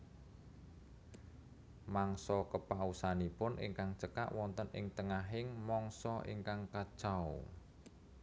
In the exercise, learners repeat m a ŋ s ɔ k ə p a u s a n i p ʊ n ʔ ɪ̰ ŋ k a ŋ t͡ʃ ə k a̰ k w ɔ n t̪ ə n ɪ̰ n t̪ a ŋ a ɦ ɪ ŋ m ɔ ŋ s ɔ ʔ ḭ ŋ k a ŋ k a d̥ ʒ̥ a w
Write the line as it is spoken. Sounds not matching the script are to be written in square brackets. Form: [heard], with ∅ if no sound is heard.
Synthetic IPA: m a ŋ s ɔ k ə p a u s a n i p ʊ n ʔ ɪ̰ ŋ k a ŋ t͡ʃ ə k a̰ [ʔ] w ɔ n t̪ ə n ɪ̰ [ŋ] t̪ [ə] ŋ a ɦ ɪ ŋ m ɔ ŋ s ɔ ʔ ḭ ŋ k a ŋ k a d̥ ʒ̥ a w